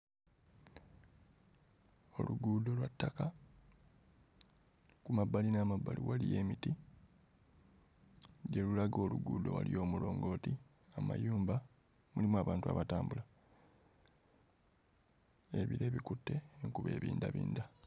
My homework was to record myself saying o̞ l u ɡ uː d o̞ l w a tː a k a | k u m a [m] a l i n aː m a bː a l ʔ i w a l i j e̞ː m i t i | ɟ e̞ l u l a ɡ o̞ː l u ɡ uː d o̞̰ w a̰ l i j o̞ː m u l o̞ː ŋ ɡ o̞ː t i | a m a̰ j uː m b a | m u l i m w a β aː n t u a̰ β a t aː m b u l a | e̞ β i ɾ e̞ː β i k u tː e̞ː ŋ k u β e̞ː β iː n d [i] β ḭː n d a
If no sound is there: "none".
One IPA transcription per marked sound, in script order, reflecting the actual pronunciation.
b, a

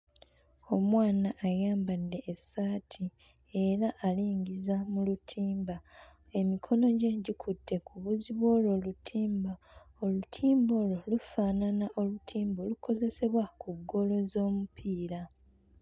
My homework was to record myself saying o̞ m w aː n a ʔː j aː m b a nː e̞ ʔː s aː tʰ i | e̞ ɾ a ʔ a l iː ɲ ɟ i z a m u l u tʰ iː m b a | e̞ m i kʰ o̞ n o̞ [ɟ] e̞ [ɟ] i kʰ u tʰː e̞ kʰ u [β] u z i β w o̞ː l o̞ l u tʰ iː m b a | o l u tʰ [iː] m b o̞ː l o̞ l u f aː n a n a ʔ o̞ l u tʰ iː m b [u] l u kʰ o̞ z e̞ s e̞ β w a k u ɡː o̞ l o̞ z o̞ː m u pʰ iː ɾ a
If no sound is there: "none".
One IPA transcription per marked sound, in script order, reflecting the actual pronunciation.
ɟ, ɟ, β, iː, o

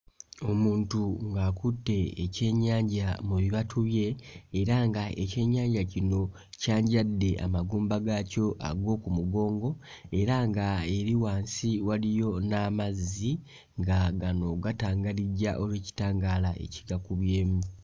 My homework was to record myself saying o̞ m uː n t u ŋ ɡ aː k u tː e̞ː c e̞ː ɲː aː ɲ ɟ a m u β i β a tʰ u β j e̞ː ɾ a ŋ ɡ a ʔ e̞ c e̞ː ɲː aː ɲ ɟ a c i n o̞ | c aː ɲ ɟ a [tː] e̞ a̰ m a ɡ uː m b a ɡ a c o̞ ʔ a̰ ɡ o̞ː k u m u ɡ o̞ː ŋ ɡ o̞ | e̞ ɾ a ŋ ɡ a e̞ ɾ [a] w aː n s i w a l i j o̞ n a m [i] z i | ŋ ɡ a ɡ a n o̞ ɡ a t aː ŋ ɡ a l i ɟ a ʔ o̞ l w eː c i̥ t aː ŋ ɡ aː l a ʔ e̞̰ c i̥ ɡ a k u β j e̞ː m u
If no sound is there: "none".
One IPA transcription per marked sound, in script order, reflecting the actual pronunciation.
dː, i, a

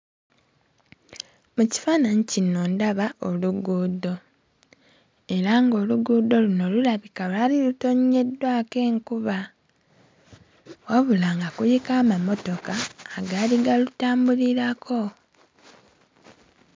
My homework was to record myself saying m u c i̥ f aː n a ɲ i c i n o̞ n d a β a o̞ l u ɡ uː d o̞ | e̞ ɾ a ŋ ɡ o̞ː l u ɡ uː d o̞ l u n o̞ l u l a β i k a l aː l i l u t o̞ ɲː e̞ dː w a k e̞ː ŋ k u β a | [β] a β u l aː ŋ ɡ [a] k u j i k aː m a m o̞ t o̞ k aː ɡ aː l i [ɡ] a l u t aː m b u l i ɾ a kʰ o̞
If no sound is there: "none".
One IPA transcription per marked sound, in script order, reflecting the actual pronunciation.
w, a, ɡ

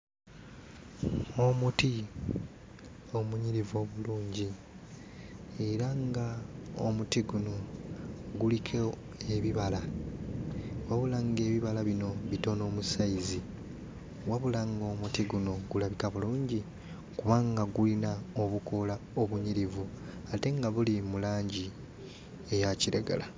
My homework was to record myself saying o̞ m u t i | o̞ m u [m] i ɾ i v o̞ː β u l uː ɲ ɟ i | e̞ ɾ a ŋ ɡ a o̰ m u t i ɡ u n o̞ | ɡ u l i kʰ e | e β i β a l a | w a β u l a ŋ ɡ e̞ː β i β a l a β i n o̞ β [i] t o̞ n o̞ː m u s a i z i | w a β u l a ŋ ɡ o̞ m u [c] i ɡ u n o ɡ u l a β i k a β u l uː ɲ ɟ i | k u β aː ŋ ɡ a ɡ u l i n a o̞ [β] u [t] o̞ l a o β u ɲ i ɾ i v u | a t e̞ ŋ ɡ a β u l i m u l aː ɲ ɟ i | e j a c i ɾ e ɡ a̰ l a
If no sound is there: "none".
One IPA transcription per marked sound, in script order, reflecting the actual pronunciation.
ɲ, i, t, β, k

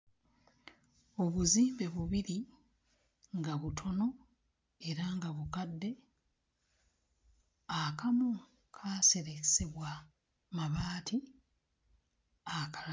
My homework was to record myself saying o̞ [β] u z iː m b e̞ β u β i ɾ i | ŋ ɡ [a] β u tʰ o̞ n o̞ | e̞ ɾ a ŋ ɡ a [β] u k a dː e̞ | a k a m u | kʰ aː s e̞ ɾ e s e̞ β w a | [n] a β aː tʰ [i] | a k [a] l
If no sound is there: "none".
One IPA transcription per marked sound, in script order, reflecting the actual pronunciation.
β, a, β, m, i, a

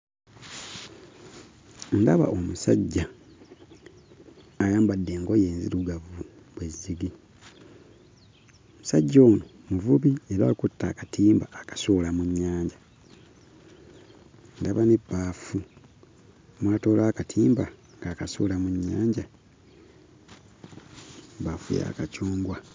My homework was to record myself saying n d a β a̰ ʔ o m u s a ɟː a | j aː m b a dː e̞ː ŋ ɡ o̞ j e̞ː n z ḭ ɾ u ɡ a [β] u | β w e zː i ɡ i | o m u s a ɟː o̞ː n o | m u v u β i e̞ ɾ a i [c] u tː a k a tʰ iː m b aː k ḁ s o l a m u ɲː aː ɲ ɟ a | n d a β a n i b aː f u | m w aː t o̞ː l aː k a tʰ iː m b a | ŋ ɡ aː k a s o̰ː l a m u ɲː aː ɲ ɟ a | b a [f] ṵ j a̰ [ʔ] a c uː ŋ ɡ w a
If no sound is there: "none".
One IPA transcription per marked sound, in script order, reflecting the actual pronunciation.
v, k, f, k

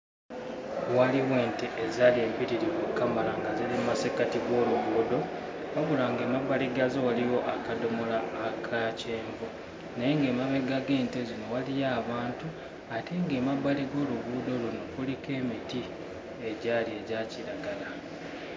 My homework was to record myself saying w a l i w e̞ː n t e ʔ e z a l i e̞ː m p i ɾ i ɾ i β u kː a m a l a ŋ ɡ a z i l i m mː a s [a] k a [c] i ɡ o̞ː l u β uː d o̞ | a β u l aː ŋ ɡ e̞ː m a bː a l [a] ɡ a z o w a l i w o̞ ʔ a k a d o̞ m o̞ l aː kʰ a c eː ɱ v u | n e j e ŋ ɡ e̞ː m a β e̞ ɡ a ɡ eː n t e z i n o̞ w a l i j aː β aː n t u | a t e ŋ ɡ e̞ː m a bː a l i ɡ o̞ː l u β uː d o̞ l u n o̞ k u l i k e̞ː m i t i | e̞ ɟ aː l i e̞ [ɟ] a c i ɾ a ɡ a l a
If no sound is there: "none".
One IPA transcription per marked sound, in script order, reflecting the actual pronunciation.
e, t, i, ɟ

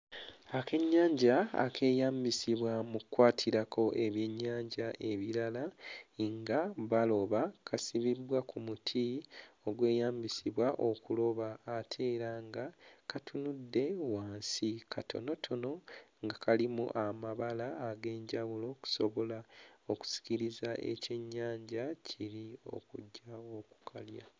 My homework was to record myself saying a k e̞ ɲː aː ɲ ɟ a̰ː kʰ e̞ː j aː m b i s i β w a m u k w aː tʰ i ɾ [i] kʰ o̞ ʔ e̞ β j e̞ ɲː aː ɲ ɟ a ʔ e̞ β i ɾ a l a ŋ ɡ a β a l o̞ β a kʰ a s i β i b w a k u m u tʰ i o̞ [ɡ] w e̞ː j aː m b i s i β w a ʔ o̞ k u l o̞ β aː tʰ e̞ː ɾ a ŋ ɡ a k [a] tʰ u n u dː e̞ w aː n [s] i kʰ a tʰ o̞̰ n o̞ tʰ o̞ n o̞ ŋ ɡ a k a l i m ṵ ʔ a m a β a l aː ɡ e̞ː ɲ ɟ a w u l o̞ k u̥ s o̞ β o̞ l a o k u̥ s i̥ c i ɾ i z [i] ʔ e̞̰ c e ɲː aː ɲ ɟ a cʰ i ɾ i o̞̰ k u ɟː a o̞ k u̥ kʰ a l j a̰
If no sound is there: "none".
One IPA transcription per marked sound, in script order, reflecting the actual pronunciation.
a, ɡ, a, s, a

